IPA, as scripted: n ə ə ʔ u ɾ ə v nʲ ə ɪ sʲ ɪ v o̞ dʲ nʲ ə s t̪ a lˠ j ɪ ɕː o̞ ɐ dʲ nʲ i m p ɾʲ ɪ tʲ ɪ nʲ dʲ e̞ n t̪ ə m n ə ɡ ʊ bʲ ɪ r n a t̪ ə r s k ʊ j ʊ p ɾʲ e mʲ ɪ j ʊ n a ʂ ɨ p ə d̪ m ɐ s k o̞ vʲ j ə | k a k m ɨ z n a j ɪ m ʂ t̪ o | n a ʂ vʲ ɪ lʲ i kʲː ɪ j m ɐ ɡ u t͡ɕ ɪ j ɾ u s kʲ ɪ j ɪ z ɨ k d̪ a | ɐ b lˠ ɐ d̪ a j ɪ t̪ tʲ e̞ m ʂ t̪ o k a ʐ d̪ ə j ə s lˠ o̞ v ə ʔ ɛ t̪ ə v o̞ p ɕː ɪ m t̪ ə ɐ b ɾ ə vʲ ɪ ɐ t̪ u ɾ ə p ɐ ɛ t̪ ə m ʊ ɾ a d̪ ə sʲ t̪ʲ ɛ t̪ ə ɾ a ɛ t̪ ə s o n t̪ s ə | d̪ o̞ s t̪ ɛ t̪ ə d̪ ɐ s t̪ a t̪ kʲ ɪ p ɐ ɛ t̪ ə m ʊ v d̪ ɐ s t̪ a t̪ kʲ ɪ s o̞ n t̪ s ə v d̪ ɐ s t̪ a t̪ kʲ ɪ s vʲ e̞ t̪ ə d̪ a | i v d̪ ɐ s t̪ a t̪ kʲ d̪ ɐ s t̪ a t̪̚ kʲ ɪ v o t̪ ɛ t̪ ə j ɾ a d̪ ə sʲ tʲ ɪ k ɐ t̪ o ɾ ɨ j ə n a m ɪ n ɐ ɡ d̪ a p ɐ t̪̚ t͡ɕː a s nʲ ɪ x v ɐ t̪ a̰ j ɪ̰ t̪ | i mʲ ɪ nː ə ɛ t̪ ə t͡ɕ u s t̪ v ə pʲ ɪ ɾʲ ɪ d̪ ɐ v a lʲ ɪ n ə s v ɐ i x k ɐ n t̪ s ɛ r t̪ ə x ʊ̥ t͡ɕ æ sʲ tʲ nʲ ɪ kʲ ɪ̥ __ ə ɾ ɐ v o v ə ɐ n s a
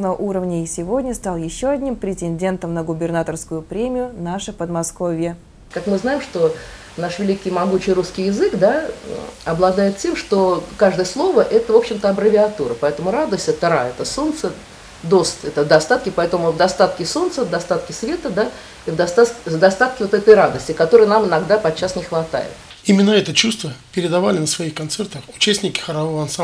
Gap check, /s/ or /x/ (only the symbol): x